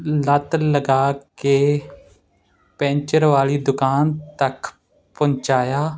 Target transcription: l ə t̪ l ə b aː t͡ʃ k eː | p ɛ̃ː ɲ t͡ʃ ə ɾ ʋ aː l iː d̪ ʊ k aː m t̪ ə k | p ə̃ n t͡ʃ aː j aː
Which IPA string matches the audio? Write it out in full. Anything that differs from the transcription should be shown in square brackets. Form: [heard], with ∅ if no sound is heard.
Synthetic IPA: l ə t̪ l ə [ɡ] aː [∅] k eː | p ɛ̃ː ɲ t͡ʃ ə ɾ ʋ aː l iː d̪ ʊ k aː [n] t̪ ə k | p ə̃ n t͡ʃ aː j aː